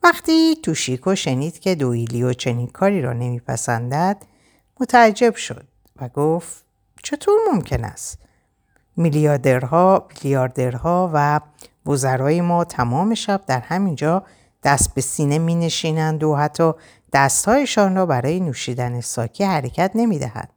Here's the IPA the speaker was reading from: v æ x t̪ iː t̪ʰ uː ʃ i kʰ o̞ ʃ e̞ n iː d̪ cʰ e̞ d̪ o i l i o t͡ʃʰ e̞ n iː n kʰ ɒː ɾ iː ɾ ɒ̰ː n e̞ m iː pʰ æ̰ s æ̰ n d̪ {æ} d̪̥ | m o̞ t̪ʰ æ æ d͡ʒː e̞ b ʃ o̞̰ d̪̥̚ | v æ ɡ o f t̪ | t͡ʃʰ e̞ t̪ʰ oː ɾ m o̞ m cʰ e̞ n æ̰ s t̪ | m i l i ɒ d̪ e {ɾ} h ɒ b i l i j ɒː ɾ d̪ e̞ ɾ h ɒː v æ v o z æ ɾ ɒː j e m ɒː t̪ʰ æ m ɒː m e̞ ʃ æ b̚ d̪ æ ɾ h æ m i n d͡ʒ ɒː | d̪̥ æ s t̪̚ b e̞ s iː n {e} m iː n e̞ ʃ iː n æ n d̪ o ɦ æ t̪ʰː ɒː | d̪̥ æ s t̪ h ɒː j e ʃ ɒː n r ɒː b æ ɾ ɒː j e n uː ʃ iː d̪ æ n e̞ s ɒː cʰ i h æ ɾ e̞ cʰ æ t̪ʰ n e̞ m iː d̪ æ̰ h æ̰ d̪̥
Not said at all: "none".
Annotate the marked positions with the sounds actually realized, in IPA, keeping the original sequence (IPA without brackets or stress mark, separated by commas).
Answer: æ, ɾ, e